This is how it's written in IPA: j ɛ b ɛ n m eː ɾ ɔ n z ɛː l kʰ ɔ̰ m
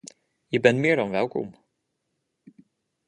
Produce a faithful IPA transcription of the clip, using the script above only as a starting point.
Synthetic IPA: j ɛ b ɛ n m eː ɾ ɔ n v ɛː l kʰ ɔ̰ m